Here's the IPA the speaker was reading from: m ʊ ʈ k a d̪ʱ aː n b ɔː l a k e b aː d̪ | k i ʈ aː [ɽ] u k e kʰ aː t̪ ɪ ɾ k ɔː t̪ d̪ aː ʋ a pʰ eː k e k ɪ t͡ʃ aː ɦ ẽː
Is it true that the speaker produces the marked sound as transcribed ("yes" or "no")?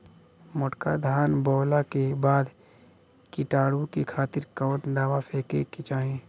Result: yes